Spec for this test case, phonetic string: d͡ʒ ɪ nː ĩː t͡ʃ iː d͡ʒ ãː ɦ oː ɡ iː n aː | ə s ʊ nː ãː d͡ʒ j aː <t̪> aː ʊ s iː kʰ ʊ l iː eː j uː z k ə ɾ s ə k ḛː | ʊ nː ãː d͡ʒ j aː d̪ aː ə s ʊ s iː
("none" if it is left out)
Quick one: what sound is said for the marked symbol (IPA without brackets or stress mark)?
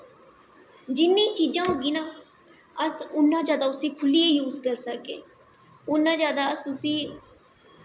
d̪